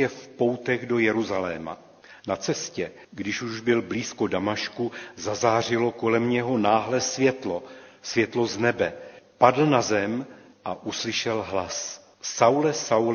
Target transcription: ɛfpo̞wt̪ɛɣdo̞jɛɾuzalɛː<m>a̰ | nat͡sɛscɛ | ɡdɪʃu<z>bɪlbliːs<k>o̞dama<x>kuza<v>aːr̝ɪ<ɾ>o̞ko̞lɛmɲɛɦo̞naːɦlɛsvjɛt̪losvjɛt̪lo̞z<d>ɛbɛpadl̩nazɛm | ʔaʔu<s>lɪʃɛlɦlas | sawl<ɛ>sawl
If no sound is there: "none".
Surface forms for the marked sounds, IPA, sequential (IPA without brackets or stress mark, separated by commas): m, ʒ, k, ʃ, z, l, n, s, ɛ